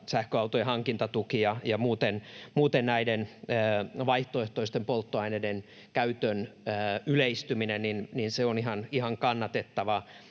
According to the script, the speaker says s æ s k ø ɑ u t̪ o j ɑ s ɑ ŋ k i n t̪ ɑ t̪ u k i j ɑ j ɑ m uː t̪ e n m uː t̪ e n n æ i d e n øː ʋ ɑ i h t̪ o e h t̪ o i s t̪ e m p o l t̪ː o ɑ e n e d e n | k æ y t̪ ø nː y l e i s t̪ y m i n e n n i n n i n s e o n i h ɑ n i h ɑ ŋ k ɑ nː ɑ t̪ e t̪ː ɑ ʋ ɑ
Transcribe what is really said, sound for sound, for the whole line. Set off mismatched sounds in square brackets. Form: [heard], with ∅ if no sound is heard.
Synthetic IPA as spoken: s æ [h] k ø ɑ u t̪ o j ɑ [h] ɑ ŋ k i n t̪ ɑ t̪ u k i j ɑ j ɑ m uː t̪ e n m uː t̪ e n n æ i d e n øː ʋ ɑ i h t̪ o e h t̪ o i s t̪ e m p o l t̪ː o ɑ [i] n e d e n | k æ y t̪ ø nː y l e i s t̪ y m i n e n n i n n i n s e o n i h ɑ n i h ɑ ŋ k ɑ nː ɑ t̪ e t̪ː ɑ ʋ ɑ